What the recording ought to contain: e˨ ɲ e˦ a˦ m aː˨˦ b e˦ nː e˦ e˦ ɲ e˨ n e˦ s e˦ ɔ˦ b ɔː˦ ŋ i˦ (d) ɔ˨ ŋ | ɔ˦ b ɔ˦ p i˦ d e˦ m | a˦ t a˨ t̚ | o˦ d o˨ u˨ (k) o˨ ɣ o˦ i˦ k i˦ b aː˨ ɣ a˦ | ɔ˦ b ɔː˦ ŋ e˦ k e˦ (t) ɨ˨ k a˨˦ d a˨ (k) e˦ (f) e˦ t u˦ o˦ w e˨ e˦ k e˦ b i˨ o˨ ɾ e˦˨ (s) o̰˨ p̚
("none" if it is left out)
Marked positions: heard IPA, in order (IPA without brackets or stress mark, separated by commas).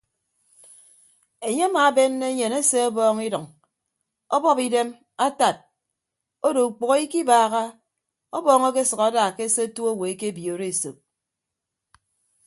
d, k͡p, s, k, s, s